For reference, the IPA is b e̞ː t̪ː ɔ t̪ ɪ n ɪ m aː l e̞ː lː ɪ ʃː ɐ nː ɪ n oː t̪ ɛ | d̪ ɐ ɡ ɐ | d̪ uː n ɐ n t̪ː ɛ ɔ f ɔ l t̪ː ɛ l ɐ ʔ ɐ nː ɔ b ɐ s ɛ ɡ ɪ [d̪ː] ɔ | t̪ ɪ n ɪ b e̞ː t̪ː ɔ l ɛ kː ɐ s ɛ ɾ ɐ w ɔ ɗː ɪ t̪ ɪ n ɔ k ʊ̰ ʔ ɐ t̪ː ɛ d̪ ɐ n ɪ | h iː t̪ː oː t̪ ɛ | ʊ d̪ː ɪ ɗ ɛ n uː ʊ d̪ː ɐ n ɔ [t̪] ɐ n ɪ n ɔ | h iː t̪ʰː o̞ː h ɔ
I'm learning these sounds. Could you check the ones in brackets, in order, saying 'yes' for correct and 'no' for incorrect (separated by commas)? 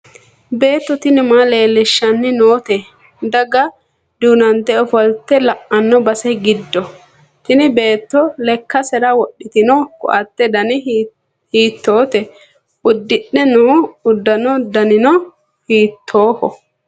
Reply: yes, no